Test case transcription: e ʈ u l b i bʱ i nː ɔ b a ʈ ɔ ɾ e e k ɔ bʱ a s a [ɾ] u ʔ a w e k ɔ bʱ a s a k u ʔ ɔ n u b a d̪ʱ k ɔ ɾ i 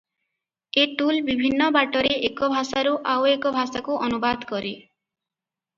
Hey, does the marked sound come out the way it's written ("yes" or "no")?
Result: yes